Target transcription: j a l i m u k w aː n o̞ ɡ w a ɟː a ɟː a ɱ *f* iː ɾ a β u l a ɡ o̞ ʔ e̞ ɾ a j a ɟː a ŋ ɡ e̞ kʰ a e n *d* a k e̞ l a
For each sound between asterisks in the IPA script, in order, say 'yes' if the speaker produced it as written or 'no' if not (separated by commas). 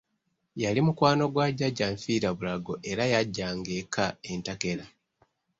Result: yes, no